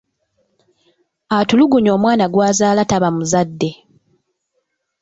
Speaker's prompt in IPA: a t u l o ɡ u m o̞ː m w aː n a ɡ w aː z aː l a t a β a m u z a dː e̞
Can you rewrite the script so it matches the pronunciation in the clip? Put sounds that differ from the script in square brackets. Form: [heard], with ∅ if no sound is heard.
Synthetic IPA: a t u l [u] ɡ u [ɲ] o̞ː m w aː n a ɡ w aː z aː l a t a β a m u z a dː e̞

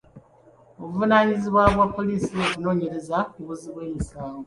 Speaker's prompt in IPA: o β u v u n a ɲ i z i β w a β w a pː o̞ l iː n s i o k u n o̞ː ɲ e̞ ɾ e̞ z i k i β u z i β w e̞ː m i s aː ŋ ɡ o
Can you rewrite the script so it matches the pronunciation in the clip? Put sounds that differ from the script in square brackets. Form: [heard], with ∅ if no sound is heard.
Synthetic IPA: o β u v u n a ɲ i z i β w a β w a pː o̞ l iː [∅] s i o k u n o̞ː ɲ e̞ ɾ e̞ z [a] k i β u z i β w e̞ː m i s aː ŋ ɡ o

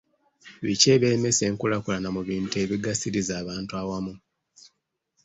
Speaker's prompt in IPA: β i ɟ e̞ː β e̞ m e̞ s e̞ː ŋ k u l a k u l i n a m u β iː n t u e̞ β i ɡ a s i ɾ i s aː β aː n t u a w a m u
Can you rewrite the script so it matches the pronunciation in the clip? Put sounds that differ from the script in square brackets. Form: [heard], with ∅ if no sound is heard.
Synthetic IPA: β i [c] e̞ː β e̞ m e̞ s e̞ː ŋ k u l a k u l [a] n a m u β iː n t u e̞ β i ɡ a s i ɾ i [z] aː β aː n t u a w a m u

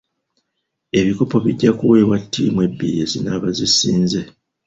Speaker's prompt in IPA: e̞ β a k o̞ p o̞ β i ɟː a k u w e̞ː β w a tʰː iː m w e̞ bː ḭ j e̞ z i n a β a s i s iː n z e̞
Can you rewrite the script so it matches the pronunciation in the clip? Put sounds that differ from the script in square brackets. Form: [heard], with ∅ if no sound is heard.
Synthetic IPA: e̞ β [i] k o̞ p o̞ β i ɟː a k u w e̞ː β w a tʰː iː m w e̞ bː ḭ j e̞ z i n a β a [z] i s iː n z e̞

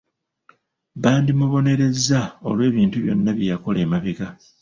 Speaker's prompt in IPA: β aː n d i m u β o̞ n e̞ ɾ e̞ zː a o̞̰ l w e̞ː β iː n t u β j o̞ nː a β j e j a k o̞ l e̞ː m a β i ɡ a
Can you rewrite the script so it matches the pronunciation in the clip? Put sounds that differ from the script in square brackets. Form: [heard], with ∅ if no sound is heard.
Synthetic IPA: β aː n d i m u β o̞ n e̞ ɾ e̞ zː a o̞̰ l w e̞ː β iː n t u β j o̞ nː a β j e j a k o̞ l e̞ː m a β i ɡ a

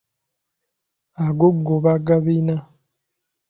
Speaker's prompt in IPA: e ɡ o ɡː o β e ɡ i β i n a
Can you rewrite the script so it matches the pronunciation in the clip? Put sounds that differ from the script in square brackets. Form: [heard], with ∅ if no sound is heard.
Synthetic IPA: [a] ɡ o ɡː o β [a] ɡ [a] β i n a

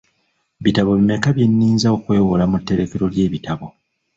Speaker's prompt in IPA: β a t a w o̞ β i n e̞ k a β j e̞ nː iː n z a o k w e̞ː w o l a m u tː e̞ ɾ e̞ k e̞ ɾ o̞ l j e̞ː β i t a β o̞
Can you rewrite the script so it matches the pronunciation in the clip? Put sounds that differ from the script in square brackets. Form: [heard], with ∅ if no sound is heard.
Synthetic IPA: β [i] t a [β] o̞ β i [m] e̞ k a β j e̞ nː iː n z a o k w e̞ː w o l a m u tː e̞ ɾ e̞ k e̞ ɾ o̞ l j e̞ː β i t a β o̞

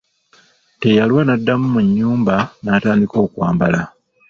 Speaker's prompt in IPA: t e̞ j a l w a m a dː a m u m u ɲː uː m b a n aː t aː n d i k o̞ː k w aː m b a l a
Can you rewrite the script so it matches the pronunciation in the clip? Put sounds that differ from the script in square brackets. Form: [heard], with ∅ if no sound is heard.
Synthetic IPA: t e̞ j a l w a [n] a dː a m u m u ɲː uː m b a n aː t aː n d i k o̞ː k w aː m b a l a

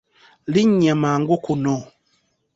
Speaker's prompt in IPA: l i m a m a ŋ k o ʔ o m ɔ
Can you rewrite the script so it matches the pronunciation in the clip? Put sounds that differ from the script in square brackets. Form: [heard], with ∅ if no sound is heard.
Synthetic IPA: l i [ɲ] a m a ŋ [ɡ] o [k] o [n] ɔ

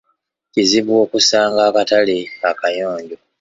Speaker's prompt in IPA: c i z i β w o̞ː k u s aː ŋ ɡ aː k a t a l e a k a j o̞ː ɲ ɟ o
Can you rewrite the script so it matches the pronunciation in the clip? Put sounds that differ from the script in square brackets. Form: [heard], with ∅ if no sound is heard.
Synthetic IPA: c i z i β w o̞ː k u s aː ŋ ɡ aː k a t a l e a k a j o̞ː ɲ ɟ o

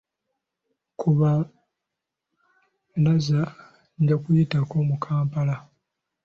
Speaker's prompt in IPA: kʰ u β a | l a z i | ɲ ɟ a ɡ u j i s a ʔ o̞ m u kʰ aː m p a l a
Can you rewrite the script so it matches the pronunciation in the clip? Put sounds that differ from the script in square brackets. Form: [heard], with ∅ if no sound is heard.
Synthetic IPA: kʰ u β a | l a z [a] | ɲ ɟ a [k] u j i [t] a [k] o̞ m u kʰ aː m p a l a

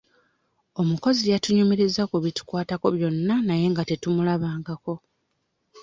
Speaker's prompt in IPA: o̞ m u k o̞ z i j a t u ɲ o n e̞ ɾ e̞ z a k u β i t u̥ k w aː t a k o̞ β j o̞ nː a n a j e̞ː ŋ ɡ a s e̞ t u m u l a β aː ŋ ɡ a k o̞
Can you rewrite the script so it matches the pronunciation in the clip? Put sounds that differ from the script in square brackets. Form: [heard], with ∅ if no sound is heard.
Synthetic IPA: o̞ m u k o̞ z i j a t u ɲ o [m] e̞ ɾ e̞ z a k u β i t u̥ k w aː t a k o̞ β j o̞ nː a n a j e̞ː ŋ ɡ a [t] e̞ t u m u l a β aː ŋ ɡ a k o̞

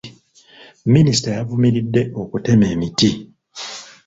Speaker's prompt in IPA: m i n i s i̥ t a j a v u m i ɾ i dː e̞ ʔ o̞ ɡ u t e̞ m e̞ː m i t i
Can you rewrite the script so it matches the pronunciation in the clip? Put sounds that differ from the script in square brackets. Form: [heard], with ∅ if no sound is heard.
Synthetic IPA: m i n i s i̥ t a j a v u m i ɾ i dː e̞ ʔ o̞ [k] u t e̞ m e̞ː m i t i

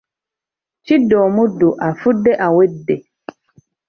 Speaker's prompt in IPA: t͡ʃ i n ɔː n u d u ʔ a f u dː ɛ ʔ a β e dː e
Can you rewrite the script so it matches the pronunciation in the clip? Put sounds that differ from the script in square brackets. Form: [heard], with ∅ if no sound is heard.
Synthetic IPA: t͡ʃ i [d] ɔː [m] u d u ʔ a f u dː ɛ ʔ a [w] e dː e

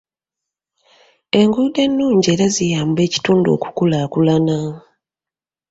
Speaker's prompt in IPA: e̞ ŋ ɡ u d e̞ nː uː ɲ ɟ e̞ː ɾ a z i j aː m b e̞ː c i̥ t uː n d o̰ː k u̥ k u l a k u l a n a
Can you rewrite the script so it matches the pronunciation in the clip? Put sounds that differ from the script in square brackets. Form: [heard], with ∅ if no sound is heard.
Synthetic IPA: e̞ ŋ ɡ u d e̞ nː uː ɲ ɟ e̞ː ɾ a z i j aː m b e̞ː c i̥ t uː n d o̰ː k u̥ k u l a k u l a n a

